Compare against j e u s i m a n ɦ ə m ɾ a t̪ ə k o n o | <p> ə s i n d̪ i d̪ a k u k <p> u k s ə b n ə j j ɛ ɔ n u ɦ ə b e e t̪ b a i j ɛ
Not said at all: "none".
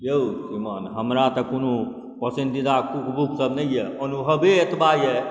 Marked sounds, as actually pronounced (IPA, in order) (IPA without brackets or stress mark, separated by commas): p, b